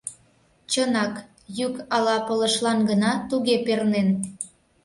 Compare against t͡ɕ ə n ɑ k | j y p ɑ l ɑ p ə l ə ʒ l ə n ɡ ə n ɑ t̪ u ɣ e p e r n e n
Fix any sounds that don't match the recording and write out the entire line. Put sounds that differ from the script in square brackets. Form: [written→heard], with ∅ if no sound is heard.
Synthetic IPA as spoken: t͡ɕ ə n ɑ k | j y [p→k] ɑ l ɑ p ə l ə [ʒ→ʃ] l [ə→ɑ] n ɡ ə n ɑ t̪ u ɣ e p e r n e n